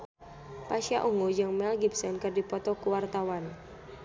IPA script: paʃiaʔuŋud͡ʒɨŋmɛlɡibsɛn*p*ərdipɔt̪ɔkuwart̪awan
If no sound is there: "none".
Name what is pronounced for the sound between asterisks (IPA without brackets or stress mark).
k